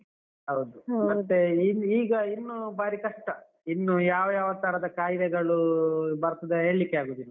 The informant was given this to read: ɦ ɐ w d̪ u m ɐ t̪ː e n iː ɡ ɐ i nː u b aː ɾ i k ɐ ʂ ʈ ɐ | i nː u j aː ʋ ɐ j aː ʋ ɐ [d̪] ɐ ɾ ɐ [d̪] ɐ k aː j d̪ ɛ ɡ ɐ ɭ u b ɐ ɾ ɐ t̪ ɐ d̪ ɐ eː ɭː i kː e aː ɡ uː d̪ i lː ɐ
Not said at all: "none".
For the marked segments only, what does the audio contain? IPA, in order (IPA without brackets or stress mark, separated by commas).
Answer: t̪, d̪